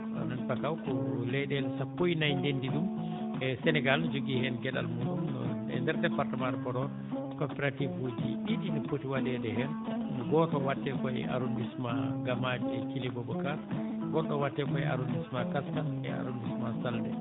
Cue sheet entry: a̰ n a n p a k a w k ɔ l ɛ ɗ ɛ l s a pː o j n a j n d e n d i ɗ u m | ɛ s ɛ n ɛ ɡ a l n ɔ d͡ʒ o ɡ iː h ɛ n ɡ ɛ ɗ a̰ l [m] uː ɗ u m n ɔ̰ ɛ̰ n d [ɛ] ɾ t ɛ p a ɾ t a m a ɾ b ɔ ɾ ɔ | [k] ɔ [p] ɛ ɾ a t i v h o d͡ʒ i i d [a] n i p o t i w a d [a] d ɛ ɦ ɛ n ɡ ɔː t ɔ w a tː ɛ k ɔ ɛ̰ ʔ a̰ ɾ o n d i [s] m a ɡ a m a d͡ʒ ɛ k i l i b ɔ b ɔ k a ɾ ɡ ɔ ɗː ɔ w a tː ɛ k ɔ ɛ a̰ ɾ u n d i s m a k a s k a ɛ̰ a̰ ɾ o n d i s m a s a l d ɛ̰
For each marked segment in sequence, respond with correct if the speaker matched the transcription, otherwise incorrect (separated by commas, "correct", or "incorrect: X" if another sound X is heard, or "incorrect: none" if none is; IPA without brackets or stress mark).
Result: correct, correct, correct, correct, incorrect: i, incorrect: ɛ, correct